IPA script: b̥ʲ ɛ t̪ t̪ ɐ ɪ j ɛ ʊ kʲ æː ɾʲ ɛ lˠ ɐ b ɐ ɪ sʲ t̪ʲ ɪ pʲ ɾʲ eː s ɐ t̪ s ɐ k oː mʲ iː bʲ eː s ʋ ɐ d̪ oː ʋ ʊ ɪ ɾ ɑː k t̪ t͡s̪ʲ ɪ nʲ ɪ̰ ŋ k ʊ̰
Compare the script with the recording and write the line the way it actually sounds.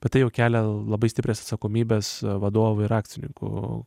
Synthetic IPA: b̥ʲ ɛ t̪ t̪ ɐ ɪ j ɛ ʊ kʲ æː lʲ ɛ lˠ ɐ b ɐ ɪ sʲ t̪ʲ ɪ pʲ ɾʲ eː s ɐ t̪ s ɐ k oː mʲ iː bʲ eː s ʋ ɐ d̪ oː ʋ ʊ ɪ ɾ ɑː k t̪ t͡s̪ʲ ɪ nʲ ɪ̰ ŋ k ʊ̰

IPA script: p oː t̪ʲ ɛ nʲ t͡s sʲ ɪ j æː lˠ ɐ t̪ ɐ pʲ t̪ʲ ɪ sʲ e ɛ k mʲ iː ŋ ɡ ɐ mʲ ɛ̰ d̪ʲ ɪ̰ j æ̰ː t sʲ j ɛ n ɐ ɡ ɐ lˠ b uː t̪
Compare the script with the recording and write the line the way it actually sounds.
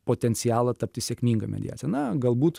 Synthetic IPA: p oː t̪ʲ ɛ nʲ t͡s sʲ ɪ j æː lˠ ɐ t̪ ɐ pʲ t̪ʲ ɪ sʲ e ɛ k mʲ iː ŋ ɡ ɐ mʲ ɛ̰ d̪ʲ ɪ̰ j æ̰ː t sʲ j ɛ n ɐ ɡ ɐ lˠ b uː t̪

